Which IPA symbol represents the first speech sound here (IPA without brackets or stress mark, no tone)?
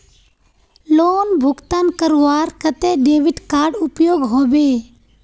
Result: l